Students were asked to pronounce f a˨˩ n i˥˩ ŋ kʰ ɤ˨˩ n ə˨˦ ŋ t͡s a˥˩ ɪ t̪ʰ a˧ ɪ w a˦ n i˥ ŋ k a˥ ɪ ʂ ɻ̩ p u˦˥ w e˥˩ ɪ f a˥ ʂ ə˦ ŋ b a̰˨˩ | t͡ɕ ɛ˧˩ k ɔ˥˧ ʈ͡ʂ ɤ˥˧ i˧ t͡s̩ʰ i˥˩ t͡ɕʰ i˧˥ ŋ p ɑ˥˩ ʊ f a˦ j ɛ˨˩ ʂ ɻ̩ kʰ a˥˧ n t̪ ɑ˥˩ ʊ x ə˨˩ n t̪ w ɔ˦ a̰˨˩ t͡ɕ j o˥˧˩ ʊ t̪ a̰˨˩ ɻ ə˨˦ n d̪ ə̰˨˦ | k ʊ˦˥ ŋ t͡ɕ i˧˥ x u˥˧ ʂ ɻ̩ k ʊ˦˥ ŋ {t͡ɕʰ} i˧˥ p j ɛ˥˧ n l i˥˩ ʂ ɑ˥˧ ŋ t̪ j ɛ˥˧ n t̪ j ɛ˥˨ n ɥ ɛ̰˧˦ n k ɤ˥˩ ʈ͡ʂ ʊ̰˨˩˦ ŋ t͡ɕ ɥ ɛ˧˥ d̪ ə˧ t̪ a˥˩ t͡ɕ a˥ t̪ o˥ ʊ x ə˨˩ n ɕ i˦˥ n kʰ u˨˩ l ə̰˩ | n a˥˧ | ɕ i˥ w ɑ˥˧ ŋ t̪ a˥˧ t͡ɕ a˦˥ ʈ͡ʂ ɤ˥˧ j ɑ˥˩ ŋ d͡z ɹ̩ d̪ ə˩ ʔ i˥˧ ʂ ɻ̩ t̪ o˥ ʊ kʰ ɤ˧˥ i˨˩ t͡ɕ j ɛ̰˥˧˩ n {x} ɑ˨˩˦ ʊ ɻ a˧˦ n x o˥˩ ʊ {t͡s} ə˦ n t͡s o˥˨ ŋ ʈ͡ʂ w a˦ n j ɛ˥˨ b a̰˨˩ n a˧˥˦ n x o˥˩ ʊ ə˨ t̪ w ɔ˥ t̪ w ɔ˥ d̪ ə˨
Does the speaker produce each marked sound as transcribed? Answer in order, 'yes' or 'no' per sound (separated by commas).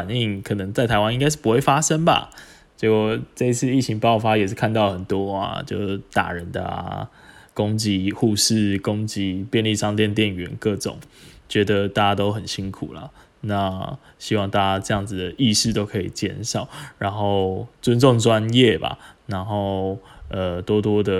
no, no, yes